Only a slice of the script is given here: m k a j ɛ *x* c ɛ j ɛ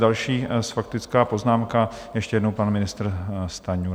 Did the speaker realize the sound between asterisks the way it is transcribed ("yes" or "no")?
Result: no